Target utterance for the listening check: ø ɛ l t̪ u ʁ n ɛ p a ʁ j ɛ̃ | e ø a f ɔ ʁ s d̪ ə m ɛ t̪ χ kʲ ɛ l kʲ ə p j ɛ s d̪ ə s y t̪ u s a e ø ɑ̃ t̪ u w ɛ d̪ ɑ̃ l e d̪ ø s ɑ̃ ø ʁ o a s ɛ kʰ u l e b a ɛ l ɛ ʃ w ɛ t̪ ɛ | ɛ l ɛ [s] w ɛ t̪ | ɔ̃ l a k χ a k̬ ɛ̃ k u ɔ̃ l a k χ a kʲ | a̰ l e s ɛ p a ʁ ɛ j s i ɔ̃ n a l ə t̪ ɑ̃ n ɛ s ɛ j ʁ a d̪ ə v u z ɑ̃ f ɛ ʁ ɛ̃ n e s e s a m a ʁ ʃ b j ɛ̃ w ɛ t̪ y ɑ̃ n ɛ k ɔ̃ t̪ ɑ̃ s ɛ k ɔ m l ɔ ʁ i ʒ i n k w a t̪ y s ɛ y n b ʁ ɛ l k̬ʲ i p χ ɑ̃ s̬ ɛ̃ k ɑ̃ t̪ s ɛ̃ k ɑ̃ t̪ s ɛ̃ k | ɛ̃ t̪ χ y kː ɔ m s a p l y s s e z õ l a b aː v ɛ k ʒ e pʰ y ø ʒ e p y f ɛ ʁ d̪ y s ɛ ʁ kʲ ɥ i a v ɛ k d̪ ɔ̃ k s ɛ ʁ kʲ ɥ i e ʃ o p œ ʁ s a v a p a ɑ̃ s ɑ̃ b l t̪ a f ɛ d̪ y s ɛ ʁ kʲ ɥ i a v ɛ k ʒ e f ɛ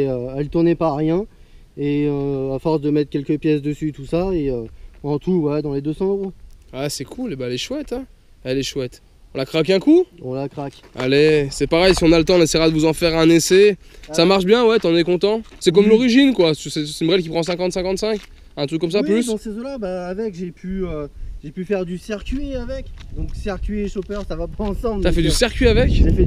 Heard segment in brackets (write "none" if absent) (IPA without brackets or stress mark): ʃ